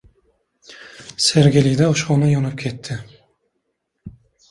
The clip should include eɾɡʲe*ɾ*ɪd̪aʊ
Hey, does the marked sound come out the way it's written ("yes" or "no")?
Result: no